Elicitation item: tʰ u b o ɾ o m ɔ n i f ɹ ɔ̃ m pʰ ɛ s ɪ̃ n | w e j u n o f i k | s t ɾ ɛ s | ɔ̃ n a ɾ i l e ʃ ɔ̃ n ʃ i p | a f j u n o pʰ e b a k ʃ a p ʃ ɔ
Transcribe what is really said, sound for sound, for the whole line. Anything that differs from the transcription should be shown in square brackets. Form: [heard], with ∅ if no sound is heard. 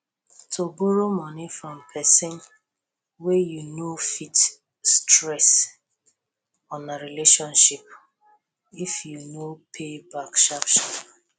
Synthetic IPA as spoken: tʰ [o] b o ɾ o m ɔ n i f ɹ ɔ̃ m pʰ ɛ s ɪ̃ n | w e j u n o f i [t] | s t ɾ ɛ s | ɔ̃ n a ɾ i l e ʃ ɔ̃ n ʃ i p | [i] f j u n o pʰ e b a k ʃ a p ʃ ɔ

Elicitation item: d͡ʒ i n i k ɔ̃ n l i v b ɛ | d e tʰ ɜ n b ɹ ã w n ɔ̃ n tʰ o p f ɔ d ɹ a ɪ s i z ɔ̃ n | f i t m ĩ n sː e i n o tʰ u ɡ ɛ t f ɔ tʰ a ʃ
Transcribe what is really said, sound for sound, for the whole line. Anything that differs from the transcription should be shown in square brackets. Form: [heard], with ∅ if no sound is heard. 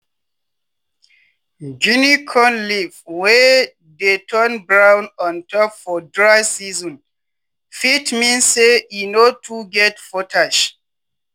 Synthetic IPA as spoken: d͡ʒ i n i [kʰ] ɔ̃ n l i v [w] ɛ | d e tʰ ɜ n b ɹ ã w n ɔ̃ n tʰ [ɔ] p f ɔ d ɹ a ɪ s i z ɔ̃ n | f i t m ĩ n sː e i n o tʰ u ɡ ɛ t f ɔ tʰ a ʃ

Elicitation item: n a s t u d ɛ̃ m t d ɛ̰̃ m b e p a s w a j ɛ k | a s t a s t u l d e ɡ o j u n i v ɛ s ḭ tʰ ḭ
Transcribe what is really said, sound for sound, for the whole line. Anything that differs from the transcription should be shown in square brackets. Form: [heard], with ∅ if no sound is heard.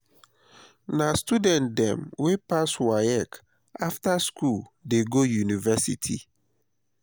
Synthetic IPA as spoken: n a s t u d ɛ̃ [n] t d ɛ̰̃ m [w] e p a s w a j ɛ k | a [f] t a s [k] u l d e ɡ o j u n i v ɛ s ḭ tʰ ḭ

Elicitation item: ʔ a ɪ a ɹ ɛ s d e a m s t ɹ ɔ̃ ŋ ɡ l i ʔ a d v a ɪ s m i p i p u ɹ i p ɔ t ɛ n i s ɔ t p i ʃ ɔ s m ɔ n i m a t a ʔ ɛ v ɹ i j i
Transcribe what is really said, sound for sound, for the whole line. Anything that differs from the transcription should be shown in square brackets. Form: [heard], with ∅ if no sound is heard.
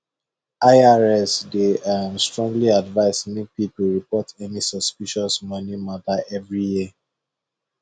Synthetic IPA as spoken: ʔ a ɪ a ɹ ɛ s d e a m s t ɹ ɔ̃ ŋ ɡ l i [∅] a d v a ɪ s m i p i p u ɹ i p ɔ t ɛ n i s ɔ [s] p i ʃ ɔ s m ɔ n i m a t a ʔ ɛ v ɹ i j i

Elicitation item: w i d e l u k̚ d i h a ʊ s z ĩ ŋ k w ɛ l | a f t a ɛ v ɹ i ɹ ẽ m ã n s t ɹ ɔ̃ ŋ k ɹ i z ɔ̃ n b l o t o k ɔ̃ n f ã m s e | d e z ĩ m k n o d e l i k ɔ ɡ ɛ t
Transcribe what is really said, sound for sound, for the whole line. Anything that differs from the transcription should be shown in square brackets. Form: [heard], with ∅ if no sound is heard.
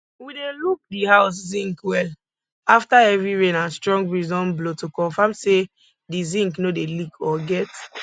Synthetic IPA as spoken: w i d e l u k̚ d i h a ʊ s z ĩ ŋ k w ɛ l | a f t a ɛ v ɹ i ɹ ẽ [n] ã n s t ɹ ɔ̃ ŋ [ɡ] ɹ i z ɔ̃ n b l o t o k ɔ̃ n f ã m s e | d [i] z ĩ [ŋ] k n o d e l i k ɔ ɡ ɛ t

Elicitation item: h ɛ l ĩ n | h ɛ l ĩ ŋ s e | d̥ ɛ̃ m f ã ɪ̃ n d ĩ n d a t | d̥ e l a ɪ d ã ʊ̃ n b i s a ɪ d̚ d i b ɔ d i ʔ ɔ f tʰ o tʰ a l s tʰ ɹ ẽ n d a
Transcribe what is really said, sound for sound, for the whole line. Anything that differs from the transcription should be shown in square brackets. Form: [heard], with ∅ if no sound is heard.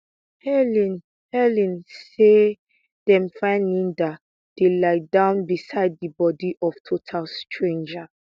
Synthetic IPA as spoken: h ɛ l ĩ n | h ɛ l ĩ [n] s e | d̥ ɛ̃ m f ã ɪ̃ n d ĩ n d a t | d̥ e l a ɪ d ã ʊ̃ n b i s a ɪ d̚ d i b ɔ d i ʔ ɔ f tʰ o tʰ a l s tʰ ɹ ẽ n [d͡ʒ] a

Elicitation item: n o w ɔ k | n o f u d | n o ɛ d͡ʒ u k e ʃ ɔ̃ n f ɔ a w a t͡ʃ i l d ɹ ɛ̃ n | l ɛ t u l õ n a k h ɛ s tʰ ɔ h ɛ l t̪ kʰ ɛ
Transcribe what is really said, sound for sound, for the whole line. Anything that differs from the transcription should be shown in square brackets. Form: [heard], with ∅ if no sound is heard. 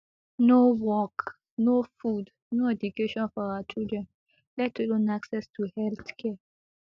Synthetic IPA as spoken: n o w ɔ k | n o f u d | n o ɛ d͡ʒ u k e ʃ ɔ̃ n f ɔ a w a t͡ʃ i l d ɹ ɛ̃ n | l ɛ t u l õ n a k [s] ɛ s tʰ [u] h ɛ l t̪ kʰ ɛ

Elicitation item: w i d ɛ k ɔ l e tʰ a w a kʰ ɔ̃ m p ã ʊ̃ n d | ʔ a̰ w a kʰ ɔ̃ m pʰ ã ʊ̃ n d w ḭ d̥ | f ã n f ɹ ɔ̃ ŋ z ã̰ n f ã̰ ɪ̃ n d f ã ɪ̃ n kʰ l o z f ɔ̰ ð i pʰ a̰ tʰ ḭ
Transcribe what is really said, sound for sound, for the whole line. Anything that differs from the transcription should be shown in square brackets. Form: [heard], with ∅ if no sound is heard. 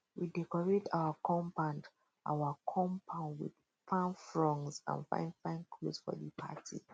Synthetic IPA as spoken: w i d ɛ k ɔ [ɹ] e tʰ a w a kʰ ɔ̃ m p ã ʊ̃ n d | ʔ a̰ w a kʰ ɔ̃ m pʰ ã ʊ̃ n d w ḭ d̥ | f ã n f ɹ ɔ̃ ŋ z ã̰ n f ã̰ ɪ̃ n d f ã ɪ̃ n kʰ l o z f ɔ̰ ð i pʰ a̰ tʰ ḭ

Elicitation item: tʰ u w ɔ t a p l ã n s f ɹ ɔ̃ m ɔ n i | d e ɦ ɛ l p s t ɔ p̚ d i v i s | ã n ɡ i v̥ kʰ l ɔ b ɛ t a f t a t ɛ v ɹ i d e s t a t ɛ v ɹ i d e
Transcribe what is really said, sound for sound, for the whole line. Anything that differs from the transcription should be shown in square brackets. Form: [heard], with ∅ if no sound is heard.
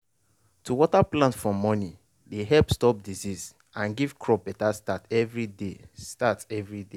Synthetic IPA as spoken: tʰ u w ɔ t a p l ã n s f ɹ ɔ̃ m ɔ n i | d e ɦ ɛ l p s t ɔ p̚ d i [z] i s | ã n ɡ i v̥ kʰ [ɹ] ɔ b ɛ t a [s] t a t ɛ v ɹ i d e s t a t ɛ v ɹ i d e

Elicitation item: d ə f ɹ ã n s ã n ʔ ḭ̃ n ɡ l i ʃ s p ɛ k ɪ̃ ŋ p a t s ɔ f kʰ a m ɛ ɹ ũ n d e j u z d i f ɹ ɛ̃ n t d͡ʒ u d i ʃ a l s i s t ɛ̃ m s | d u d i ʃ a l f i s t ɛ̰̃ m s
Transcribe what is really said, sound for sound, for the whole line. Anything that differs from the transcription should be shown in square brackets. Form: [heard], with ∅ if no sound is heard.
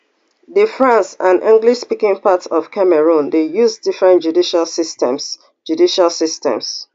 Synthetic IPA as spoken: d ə f ɹ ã n s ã n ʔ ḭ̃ [ŋ] ɡ l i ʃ s p [i] k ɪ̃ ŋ p a t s ɔ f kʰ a m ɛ ɹ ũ n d e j u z d i f ɹ ɛ̃ n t d͡ʒ u d i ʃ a l s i s t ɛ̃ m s | [d͡ʒ] u d i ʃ a l [s] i s t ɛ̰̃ m s

